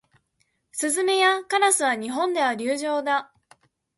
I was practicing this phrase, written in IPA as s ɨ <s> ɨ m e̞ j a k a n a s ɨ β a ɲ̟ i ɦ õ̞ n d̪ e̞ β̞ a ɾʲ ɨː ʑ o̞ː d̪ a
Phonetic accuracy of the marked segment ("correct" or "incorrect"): incorrect